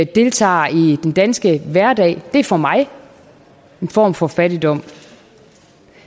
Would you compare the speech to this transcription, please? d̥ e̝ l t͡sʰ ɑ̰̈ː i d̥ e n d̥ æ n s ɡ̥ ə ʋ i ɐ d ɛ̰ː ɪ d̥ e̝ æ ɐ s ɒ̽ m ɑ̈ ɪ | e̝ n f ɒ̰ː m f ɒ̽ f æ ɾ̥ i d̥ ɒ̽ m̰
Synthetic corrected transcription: d̥ e̝ l t͡sʰ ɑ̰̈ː i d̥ e n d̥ æ n s ɡ̥ ə ʋ æ ɐ d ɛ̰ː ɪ d̥ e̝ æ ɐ f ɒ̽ m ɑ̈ ɪ | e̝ n f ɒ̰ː m f ɒ̽ f æ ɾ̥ i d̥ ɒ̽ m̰